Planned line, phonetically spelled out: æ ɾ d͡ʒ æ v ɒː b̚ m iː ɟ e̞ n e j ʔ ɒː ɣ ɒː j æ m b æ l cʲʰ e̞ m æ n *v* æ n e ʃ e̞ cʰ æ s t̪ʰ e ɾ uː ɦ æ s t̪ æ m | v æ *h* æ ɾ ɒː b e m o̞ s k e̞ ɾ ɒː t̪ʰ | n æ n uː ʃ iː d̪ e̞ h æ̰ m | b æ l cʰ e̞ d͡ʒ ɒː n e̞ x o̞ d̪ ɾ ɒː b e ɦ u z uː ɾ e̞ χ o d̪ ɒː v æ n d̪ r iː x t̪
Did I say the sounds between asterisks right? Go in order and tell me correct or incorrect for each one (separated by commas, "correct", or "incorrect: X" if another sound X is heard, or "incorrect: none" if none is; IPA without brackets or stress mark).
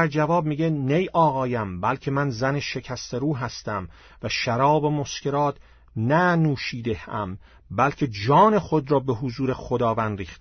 incorrect: z, incorrect: ʃ